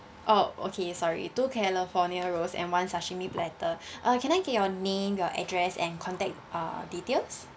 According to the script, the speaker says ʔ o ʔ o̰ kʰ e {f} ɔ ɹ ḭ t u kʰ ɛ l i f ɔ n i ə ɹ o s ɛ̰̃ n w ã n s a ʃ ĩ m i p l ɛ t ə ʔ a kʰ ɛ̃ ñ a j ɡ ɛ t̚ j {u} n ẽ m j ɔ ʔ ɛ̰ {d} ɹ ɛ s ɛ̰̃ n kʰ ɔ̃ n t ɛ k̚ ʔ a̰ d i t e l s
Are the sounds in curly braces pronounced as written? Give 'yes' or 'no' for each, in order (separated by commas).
no, no, yes